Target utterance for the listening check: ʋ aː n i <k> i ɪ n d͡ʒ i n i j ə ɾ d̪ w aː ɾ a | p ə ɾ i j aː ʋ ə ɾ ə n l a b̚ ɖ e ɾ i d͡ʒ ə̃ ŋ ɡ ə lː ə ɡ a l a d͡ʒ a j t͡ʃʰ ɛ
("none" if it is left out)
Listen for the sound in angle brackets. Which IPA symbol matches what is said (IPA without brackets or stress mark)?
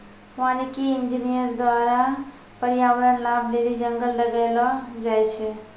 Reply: k